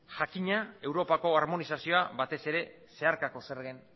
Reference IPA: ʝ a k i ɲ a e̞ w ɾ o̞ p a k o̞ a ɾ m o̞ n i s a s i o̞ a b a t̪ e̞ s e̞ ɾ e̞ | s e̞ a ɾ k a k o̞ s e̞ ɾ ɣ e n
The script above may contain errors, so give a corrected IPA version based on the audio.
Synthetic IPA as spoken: ʝ a k i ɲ a e̞ w ɾ o̞ p a k o̞ a ɾ m o̞ n i s a s i o̞ a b a t̪ e̞ s e̞ ɾ e̞ | s e̞ a ɾ k a k o̞ s e̞ ɾ ɣ e n